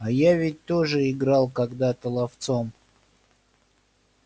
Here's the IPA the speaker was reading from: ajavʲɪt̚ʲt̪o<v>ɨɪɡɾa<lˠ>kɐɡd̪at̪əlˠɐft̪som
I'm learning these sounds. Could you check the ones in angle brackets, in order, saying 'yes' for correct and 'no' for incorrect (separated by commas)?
no, yes